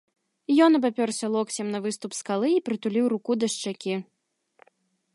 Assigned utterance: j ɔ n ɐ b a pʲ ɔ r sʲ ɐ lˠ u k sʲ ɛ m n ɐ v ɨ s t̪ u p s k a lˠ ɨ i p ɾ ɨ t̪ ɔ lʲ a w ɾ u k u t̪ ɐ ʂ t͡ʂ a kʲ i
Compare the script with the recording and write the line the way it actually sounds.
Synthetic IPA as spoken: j ɔ n ɐ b a pʲ ɔ r sʲ ɐ lˠ ɔ k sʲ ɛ m n ɐ v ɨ s t̪ u p s k a lˠ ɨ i p ɾ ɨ t̪ u lʲ i w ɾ u k u d̪ ɐ ʂ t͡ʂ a kʲ i